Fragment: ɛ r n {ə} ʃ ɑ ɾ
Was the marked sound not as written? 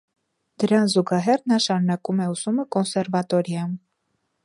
yes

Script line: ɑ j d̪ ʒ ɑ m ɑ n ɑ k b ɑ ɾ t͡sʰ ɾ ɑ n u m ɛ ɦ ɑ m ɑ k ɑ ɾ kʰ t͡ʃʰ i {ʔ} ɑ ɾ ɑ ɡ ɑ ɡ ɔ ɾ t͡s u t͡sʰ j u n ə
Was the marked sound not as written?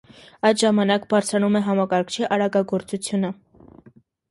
no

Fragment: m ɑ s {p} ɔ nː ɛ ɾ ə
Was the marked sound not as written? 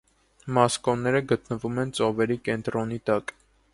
yes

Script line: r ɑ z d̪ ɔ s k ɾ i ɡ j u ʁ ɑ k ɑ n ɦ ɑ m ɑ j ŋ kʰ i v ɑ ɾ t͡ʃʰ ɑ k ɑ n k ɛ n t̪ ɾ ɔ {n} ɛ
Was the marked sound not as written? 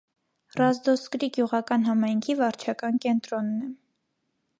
yes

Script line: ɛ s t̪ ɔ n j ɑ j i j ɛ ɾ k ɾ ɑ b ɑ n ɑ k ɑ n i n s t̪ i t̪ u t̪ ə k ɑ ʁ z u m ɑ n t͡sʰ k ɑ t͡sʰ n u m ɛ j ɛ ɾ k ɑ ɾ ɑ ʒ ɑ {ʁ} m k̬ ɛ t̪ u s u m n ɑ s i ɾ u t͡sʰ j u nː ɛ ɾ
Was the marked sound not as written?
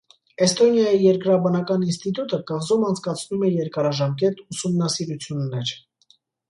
yes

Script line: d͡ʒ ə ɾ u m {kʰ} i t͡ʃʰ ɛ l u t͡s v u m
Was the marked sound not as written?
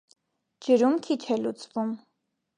no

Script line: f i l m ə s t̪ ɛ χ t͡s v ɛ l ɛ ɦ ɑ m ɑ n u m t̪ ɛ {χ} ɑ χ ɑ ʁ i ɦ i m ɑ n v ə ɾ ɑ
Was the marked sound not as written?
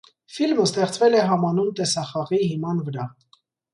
yes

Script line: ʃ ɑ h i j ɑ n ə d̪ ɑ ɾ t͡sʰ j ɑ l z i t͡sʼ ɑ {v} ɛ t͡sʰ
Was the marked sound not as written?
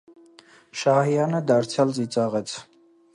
yes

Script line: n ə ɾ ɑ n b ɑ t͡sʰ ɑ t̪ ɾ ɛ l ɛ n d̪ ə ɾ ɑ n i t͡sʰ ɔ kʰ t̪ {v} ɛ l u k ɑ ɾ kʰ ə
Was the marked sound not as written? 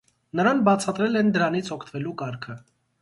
no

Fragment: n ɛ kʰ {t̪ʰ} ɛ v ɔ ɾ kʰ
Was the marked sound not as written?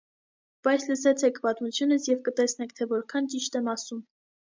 no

